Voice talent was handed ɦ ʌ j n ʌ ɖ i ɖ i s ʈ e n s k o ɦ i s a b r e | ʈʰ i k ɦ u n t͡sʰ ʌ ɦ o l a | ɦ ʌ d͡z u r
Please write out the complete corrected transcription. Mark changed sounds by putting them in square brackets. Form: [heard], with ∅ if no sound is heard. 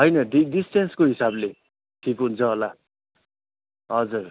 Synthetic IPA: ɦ ʌ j n ʌ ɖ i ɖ i s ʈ e n s k o ɦ i s a b [l] e | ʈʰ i k ɦ u n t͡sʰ ʌ ɦ o l a | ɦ ʌ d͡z u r